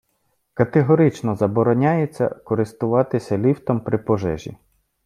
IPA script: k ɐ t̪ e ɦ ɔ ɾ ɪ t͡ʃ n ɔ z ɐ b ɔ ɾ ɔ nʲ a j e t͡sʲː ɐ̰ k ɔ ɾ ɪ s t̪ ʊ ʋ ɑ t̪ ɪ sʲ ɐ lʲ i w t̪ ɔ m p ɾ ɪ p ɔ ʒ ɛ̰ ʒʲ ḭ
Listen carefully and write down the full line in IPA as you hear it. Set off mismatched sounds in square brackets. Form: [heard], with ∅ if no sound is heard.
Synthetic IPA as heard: k ɐ t̪ e ɦ ɔ ɾ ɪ t͡ʃ n ɔ z ɐ b ɔ ɾ ɔ nʲ a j e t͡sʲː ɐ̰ k ɔ ɾ ɪ s t̪ ʊ ʋ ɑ t̪ ɪ sʲ ɐ lʲ i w t̪ ɔ m p ɾ ɪ p ɔ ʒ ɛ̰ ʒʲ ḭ